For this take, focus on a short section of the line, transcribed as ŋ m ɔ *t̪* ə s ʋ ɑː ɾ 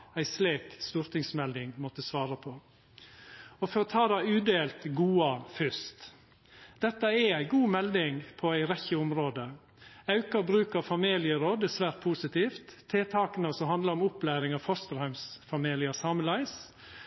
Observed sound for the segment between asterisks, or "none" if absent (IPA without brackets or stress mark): t̪